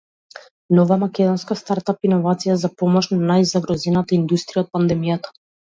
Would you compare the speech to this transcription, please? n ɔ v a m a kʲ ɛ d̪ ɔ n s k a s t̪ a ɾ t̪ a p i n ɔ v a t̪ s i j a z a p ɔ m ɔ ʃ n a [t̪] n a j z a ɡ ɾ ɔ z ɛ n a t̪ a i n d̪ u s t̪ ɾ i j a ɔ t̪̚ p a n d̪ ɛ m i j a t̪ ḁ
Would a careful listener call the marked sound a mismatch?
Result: yes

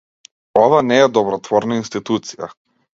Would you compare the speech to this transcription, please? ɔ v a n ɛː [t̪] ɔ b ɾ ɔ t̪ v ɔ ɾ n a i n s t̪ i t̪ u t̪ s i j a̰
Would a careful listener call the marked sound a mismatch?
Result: yes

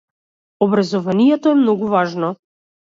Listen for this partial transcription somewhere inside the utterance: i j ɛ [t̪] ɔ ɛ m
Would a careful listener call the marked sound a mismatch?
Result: no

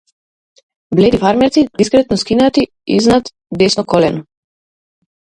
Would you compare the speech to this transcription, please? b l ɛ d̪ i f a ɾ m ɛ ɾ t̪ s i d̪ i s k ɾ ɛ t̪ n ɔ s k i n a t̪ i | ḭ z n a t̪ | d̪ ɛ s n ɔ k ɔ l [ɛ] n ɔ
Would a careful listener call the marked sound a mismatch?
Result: no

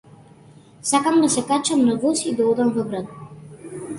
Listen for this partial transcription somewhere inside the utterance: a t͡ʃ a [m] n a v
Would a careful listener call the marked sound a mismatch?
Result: no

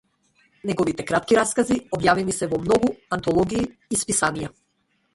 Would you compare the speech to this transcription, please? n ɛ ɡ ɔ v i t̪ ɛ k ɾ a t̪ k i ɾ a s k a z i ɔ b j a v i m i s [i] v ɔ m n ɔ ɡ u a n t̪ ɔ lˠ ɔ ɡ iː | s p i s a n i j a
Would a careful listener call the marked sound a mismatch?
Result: yes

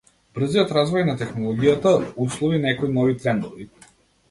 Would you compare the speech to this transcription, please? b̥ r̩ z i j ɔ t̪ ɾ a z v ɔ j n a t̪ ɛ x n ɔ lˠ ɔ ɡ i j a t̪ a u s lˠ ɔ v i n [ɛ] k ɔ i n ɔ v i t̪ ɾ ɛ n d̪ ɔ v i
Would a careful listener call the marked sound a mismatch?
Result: no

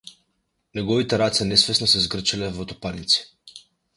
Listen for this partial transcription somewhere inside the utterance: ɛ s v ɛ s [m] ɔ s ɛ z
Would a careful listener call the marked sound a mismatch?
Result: yes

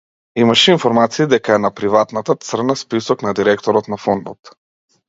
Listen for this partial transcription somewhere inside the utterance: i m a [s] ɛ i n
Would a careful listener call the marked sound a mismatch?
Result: yes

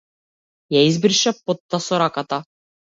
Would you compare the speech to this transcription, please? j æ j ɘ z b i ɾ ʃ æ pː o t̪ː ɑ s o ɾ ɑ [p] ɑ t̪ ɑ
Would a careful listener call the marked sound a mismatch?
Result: yes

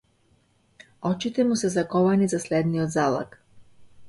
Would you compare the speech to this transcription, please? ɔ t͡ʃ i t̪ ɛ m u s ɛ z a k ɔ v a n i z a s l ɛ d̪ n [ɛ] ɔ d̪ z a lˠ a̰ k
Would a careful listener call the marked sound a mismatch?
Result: yes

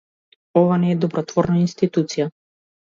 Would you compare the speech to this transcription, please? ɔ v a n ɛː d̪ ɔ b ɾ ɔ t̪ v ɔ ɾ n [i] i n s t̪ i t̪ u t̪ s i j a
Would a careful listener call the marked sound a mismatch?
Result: yes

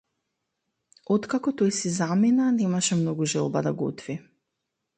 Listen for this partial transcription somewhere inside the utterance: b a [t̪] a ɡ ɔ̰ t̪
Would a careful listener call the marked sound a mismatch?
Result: yes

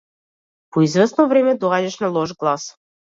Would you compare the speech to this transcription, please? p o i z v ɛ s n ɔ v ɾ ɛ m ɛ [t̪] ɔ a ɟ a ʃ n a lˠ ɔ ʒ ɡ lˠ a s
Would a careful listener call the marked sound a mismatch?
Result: yes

